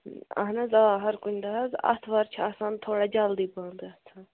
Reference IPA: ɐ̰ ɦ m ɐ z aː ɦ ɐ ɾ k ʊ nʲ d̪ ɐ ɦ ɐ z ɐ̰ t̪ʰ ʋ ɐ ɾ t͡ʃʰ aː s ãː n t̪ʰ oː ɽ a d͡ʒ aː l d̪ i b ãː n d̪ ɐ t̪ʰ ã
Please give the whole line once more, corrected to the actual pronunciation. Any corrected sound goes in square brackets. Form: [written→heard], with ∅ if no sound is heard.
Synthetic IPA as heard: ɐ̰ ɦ [m→n] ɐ z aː ɦ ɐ ɾ k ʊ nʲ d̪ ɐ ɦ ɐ z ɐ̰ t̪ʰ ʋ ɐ ɾ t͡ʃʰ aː s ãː n t̪ʰ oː ɽ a d͡ʒ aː l d̪ i b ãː n d̪ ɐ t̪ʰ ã